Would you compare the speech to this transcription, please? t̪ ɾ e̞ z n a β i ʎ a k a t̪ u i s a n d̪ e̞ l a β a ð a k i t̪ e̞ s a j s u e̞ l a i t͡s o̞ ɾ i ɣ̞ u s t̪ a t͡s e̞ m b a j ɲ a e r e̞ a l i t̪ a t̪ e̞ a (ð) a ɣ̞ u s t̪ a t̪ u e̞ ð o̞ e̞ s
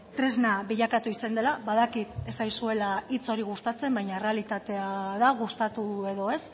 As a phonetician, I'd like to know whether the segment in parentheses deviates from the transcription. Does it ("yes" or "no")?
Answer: no